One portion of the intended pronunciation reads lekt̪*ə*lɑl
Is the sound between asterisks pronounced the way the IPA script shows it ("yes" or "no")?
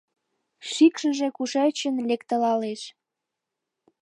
yes